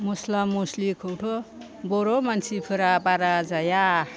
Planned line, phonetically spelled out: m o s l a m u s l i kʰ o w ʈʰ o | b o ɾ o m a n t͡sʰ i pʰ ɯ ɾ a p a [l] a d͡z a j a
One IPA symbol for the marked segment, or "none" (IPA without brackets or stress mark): ɾ